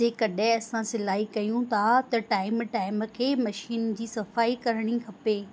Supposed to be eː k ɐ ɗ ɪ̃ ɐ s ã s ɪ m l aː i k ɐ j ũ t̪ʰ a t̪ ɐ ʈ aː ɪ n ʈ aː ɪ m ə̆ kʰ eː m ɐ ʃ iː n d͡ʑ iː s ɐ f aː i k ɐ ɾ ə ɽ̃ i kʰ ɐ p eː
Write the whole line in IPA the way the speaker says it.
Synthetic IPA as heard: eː k ɐ ɗ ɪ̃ ɐ s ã s ɪ l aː i k ɐ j ũ t̪ʰ a t̪ ɐ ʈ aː ɪ m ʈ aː ɪ m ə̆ kʰ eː m ɐ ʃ iː n d͡ʑ iː s ɐ f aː i k ɐ ɾ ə ɽ̃ i kʰ ɐ p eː